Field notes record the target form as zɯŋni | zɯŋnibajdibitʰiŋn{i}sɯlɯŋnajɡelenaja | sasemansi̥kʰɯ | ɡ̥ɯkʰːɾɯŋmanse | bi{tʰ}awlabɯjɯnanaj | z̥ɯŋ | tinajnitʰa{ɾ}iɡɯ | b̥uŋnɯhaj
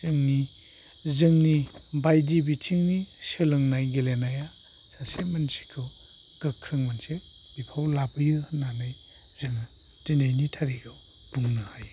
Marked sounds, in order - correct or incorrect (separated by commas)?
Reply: correct, incorrect, correct